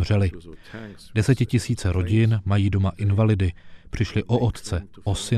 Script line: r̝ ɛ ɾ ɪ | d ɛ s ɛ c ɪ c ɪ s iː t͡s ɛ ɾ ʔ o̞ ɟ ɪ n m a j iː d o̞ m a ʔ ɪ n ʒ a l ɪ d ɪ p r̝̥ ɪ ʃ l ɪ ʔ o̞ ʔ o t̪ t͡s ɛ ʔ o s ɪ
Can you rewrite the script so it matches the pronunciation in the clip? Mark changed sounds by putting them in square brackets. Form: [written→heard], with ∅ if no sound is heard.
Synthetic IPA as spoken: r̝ ɛ [ɾ→l] ɪ | d ɛ s ɛ c ɪ c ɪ s iː t͡s ɛ ɾ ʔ o̞ ɟ ɪ n m a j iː d o̞ m a ʔ ɪ n [ʒ→v] a l ɪ d ɪ p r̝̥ ɪ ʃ l ɪ ʔ o̞ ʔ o t̪ t͡s ɛ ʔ o s ɪ